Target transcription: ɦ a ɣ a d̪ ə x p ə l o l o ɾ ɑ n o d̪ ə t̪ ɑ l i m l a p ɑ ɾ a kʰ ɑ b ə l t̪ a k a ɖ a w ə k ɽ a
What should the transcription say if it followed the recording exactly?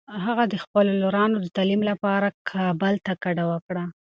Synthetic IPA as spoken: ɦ a ɣ a d̪ ə x p ə l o l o ɾ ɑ n o d̪ ə t̪ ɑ l i m l a p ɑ ɾ a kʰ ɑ b ə l t̪ a k a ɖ a w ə k ɽ a